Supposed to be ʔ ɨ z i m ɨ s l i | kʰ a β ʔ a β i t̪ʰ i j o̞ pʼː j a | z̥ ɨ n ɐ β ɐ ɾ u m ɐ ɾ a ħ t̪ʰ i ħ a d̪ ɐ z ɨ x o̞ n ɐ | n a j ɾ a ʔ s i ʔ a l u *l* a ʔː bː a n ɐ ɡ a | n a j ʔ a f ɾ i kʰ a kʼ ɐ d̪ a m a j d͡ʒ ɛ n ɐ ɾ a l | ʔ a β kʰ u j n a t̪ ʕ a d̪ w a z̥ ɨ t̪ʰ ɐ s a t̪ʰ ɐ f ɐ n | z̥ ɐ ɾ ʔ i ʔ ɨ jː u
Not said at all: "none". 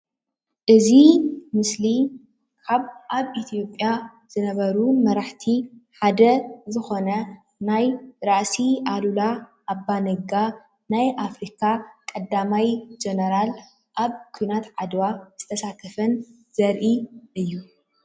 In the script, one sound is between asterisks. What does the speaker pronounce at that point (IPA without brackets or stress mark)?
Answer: l